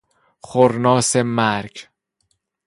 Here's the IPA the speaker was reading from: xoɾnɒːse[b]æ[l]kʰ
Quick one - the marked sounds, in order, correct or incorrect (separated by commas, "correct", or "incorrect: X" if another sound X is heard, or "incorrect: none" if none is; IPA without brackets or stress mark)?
incorrect: m, incorrect: ɾ